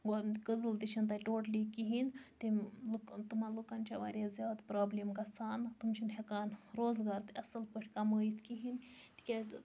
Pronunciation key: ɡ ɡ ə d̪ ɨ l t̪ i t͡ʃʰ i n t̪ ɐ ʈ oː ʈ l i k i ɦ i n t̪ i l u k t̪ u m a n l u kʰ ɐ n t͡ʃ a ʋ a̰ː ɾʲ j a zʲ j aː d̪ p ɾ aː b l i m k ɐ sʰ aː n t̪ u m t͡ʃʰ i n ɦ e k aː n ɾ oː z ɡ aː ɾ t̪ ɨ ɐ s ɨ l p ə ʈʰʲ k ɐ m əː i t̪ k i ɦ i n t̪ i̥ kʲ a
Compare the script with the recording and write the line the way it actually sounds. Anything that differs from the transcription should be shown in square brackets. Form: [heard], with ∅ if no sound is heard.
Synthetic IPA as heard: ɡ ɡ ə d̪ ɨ l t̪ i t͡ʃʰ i n t̪ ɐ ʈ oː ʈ l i k i ɦ i n t̪ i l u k t̪ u m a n l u [k] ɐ n t͡ʃ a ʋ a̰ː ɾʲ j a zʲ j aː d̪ p ɾ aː b l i m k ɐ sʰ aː n t̪ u m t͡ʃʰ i n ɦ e k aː n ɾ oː z ɡ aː ɾ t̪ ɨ ɐ s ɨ l p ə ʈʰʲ k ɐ m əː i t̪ k i ɦ i n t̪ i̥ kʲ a